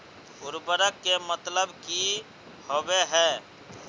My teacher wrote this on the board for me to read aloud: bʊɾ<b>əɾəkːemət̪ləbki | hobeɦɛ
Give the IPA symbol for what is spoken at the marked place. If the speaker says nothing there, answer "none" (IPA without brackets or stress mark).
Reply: b